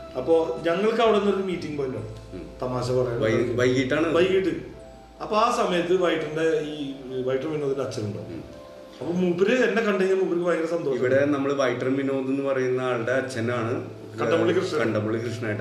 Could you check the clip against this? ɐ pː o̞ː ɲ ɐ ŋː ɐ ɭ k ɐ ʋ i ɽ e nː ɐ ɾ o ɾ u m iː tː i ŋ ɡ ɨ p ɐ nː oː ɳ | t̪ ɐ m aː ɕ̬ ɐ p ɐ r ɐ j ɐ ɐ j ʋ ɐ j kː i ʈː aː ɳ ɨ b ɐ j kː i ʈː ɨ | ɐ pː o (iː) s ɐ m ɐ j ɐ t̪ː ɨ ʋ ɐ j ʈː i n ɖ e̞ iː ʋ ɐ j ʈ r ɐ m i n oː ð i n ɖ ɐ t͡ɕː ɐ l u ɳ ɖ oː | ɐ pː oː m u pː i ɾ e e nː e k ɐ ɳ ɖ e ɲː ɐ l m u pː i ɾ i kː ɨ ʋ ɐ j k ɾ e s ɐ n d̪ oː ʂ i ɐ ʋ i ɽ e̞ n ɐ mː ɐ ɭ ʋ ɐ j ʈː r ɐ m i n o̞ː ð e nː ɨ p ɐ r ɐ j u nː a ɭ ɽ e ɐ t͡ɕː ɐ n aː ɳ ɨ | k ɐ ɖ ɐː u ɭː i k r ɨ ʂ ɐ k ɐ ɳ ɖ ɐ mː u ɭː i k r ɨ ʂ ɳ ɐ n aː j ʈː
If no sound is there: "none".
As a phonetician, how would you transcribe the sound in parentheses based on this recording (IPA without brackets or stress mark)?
aː